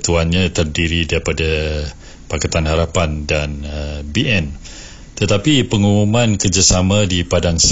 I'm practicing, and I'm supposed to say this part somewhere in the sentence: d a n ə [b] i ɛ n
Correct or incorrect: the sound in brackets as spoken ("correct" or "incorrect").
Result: correct